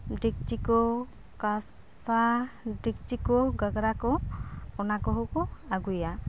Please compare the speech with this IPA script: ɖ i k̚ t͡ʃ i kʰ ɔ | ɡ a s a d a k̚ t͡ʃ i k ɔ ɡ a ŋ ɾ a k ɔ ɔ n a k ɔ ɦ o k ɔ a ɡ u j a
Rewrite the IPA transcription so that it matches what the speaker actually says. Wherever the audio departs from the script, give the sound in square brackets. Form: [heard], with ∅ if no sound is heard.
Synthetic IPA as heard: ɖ i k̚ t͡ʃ i [k] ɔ | [k] a s a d [i] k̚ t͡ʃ i k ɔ ɡ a [ɡ] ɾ a k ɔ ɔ n a k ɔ ɦ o k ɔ a ɡ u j a